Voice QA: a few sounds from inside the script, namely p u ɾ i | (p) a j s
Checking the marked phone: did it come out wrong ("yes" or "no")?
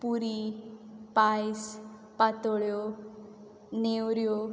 no